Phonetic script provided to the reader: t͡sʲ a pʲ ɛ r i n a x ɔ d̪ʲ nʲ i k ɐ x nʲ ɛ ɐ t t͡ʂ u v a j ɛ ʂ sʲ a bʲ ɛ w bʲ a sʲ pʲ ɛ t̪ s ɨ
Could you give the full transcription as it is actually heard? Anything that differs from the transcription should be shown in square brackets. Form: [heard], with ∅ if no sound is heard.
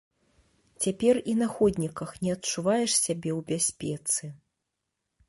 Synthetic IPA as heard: t͡sʲ a pʲ ɛ r i n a x ɔ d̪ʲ nʲ i k ɐ x nʲ ɛ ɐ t t͡ʂ u v a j ɛ ʂ sʲ a bʲ ɛ w bʲ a sʲ pʲ ɛ t̪ s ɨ